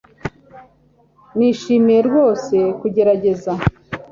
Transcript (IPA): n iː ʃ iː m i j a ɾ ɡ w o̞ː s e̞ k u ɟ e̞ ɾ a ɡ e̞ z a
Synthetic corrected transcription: n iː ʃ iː m i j e ɾ ɡ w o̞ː s e̞ k u ɟ e̞ ɾ a ɟ e̞ z a